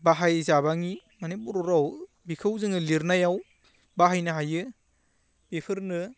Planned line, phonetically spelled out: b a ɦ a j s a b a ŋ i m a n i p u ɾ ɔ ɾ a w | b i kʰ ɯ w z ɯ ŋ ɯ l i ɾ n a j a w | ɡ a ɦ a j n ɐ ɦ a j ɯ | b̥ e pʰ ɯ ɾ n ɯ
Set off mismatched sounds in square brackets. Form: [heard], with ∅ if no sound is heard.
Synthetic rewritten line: b a ɦ a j [z] a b a ŋ i m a n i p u ɾ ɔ ɾ a w | b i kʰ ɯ w z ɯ ŋ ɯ l i ɾ n a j a w | [b] a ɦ a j n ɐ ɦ a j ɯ | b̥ e pʰ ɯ ɾ n ɯ